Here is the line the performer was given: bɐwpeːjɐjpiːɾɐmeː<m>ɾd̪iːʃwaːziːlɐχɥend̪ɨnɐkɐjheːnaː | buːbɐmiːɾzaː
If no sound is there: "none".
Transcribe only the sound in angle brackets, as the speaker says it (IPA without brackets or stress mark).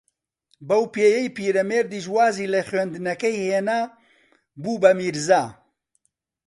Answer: none